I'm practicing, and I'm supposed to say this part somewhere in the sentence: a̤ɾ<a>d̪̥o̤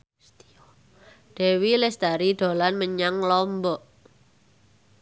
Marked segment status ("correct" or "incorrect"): incorrect